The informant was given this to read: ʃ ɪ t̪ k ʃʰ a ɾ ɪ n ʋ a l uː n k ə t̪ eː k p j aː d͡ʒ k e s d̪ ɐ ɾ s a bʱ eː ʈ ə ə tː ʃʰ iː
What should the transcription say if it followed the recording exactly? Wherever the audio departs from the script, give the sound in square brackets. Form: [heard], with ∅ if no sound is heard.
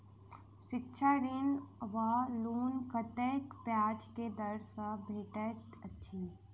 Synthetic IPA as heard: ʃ ɪ [∅] k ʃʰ a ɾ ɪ n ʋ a l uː n k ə t̪ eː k p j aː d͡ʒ k e [∅] d̪ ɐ ɾ s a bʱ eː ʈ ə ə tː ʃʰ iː